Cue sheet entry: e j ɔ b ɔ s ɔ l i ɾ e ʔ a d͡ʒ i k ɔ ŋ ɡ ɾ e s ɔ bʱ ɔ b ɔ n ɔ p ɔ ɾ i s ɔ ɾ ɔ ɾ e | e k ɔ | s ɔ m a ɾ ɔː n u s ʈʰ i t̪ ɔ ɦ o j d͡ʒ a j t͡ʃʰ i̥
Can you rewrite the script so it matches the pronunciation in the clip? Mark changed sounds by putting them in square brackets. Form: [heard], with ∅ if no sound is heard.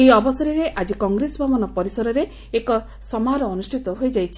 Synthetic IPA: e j ɔ b ɔ s ɔ [ɾ] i ɾ e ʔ a d͡ʒ i k ɔ ŋ ɡ ɾ e s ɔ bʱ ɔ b ɔ n ɔ p ɔ ɾ i s ɔ ɾ ɔ ɾ e | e k ɔ | s ɔ m a ɾ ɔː n u s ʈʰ i t̪ ɔ ɦ o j d͡ʒ a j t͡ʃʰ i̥